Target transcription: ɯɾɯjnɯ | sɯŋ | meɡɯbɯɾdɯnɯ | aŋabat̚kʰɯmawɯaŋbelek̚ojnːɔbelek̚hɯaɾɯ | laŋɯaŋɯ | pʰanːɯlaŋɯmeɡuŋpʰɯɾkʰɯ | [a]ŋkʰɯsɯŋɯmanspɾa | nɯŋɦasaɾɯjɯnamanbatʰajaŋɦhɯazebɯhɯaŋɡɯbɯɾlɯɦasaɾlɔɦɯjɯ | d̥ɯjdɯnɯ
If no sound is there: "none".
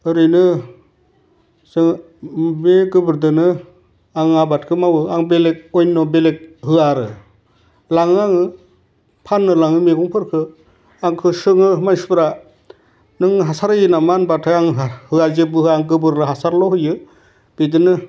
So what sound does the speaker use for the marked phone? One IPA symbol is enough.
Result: a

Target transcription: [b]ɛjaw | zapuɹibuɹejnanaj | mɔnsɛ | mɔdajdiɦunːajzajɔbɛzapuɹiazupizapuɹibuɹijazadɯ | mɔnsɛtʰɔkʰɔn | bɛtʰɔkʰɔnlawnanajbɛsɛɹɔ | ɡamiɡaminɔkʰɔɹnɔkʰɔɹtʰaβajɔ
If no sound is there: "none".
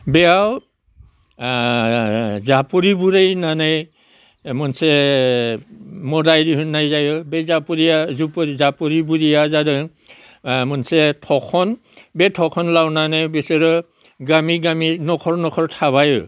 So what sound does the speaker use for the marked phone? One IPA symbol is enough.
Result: b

